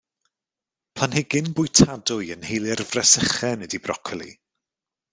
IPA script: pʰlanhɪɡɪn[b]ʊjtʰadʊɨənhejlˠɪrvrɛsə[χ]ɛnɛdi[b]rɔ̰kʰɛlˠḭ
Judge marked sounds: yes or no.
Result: yes, yes, yes

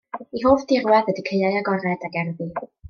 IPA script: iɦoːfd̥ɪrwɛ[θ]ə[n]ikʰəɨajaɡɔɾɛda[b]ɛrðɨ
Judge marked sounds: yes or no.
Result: no, no, no

